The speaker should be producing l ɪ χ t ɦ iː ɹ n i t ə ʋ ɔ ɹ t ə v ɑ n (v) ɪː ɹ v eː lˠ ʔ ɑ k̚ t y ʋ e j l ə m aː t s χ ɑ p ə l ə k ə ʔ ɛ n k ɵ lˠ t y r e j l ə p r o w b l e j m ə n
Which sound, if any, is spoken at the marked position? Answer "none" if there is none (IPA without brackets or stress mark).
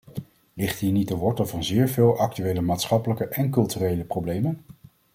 z